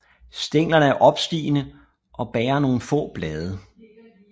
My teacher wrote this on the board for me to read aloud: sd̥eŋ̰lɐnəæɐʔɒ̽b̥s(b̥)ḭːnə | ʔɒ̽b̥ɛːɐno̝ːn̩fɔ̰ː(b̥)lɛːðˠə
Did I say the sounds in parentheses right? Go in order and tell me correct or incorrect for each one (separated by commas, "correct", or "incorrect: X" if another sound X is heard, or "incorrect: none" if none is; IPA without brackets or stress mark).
incorrect: d̥, correct